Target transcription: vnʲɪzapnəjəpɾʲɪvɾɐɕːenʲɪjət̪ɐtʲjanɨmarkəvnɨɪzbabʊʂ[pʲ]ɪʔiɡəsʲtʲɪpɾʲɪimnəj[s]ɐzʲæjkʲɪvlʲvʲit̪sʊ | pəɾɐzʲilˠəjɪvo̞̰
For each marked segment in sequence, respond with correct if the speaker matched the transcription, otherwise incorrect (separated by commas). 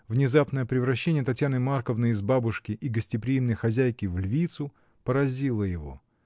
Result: incorrect, incorrect